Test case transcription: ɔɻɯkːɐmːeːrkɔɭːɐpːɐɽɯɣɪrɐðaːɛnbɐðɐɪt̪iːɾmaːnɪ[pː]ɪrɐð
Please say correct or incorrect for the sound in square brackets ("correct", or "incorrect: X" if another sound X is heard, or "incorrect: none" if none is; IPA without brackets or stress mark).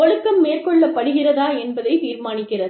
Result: incorrect: kː